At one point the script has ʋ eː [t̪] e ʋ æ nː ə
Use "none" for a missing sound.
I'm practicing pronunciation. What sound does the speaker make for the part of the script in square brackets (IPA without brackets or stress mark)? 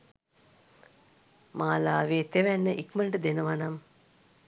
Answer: t̪